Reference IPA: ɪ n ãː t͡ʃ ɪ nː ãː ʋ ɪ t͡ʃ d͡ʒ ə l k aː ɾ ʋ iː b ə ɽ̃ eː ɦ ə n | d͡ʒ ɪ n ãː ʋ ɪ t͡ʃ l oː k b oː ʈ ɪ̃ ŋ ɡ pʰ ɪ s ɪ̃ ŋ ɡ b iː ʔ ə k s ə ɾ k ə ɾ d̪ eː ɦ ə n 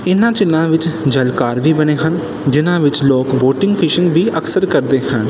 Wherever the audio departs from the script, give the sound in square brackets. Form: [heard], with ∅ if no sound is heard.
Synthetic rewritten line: ɪ n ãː t͡ʃ ɪ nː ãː ʋ ɪ t͡ʃ d͡ʒ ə l k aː ɾ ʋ iː b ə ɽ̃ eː ɦ ə n | d͡ʒ ɪ n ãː ʋ ɪ t͡ʃ l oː k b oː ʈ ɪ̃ ŋ ɡ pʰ ɪ [ʃ] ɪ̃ ŋ ɡ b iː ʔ ə k s ə ɾ k ə ɾ d̪ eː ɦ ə n